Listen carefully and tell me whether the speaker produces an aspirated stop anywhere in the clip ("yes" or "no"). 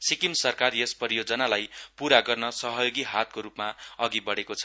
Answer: yes